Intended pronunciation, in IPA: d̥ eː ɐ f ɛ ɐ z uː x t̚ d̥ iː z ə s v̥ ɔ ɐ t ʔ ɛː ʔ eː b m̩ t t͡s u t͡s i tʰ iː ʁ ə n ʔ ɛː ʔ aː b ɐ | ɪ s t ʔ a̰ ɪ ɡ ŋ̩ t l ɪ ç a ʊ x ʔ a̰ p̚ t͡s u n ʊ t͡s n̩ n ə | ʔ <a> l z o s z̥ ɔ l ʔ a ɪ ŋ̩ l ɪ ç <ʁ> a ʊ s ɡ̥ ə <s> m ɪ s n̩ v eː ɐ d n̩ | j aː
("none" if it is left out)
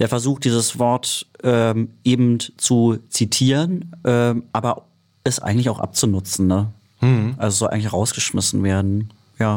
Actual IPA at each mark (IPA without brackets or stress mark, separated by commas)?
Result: a, ʁ, ʃ